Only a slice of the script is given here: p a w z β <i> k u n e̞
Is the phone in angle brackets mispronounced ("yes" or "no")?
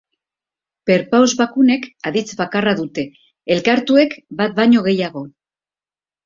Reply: yes